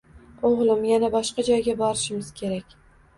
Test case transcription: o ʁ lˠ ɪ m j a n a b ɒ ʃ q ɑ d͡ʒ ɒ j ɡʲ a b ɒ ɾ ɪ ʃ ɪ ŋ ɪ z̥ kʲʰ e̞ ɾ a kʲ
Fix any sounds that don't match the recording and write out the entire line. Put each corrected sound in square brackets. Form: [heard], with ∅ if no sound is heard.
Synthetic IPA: o ʁ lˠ ɪ m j a n a b ɒ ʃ q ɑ d͡ʒ ɒ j ɡʲ a b ɒ ɾ ɪ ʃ ɪ [m] ɪ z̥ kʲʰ e̞ ɾ a kʲ